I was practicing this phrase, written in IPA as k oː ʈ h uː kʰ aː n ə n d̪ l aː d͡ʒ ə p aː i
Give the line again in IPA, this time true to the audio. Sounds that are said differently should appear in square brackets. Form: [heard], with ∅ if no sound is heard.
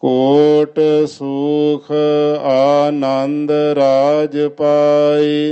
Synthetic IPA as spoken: k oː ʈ [s] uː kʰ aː n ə n d̪ [ɾ] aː d͡ʒ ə p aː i